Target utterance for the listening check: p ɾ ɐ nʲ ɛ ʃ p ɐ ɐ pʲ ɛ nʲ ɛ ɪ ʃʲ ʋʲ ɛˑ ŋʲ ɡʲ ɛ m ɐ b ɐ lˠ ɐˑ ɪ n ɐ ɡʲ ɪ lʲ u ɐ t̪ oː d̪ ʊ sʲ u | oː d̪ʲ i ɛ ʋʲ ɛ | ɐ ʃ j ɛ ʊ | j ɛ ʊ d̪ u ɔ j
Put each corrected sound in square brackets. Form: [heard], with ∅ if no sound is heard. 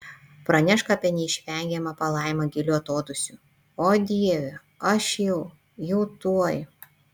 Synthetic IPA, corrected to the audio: p ɾ ɐ nʲ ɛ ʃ [k] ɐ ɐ pʲ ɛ nʲ ɛ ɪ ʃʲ ʋʲ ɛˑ ŋʲ ɡʲ ɛ m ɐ [p] ɐ lˠ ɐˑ ɪ [m] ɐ ɡʲ ɪ lʲ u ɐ t̪ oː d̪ ʊ sʲ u | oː d̪ʲ i ɛ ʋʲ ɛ | ɐ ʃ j ɛ ʊ | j ɛ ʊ [t̪] u ɔ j